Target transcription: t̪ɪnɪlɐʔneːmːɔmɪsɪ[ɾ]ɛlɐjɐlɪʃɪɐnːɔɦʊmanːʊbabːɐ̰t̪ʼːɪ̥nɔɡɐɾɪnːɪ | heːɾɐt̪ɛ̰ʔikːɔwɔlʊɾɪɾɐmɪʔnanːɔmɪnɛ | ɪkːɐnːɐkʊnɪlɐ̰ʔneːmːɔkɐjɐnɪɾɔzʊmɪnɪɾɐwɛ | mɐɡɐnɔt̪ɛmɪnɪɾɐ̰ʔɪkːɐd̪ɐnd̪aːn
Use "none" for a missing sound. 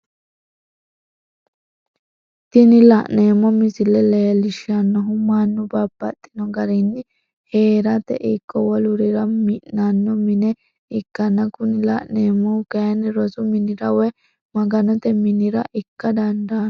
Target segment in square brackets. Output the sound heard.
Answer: l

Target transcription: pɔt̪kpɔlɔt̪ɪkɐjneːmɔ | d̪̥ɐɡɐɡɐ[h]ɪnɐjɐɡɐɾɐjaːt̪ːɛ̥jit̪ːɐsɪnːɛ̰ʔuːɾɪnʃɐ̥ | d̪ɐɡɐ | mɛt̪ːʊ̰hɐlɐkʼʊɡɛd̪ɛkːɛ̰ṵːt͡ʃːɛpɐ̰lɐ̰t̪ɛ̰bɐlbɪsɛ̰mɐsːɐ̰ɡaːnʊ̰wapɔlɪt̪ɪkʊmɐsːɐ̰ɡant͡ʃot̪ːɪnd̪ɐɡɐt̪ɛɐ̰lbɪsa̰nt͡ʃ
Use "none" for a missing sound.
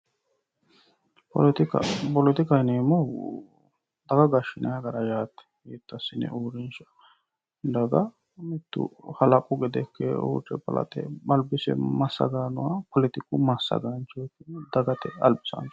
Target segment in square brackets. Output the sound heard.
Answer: ʃ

